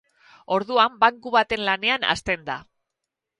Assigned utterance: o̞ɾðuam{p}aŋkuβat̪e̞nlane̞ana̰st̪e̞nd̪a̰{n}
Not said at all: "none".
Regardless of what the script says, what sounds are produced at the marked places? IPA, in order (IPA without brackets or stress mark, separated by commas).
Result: b, none